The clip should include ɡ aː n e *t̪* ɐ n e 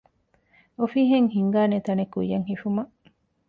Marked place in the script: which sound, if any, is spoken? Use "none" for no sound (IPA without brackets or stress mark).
t̪